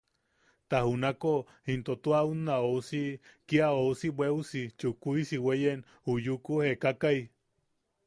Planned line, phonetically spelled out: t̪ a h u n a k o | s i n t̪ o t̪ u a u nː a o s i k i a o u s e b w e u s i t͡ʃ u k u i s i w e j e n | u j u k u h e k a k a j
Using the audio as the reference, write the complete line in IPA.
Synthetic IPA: t̪ a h u n a k o | h i n t̪ o t̪ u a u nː a o s i k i a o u s i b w e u s i t͡ʃ u k u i s i w e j e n | u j u k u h e k a k a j